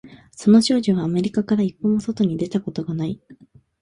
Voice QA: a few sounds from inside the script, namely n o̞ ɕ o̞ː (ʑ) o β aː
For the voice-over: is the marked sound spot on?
yes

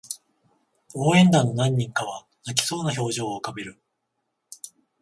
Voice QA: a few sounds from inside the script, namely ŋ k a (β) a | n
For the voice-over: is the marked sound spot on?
yes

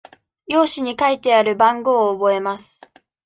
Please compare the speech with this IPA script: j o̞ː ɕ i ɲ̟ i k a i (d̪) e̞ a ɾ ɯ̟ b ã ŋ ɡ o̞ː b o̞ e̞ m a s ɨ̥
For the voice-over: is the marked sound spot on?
no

